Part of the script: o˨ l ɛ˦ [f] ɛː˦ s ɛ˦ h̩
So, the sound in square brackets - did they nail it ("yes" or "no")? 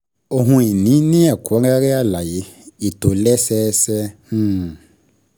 no